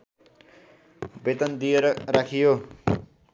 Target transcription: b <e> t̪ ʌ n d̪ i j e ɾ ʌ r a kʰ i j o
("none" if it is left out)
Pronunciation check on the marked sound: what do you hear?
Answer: e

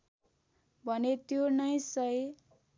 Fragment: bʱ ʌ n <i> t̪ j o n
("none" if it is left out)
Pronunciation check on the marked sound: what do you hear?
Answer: e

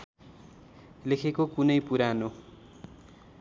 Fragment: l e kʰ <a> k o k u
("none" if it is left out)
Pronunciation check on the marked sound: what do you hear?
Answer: e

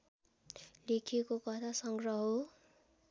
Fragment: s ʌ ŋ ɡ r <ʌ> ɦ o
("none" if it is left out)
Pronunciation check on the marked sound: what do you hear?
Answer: ʌ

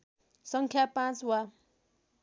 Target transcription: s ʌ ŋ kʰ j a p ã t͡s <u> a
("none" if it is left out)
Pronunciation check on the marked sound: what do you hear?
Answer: w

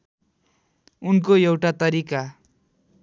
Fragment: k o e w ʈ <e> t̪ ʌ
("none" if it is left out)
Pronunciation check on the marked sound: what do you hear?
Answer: a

